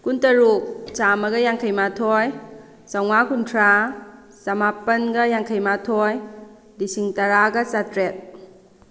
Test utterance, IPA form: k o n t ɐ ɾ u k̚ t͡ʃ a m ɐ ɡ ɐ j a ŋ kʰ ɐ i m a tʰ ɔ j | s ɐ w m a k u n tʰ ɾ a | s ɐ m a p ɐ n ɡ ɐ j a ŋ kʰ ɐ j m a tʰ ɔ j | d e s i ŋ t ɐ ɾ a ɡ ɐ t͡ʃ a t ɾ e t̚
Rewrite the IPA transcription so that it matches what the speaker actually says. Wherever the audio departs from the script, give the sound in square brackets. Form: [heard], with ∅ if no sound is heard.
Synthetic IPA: k [u] n t ɐ ɾ u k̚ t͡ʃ a m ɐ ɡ ɐ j a ŋ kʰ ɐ [j] m a tʰ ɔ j | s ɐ w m a k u n tʰ ɾ a | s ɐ m a p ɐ n ɡ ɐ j a ŋ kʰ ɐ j m a tʰ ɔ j | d [i] s i ŋ t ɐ ɾ a ɡ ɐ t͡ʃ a t ɾ e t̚